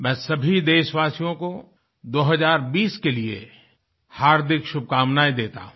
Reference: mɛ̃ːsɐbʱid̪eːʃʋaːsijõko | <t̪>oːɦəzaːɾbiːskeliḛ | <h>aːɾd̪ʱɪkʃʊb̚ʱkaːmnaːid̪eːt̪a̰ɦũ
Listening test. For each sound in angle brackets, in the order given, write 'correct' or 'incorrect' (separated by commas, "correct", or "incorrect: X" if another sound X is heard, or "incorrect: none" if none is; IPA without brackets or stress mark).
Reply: incorrect: d̪, correct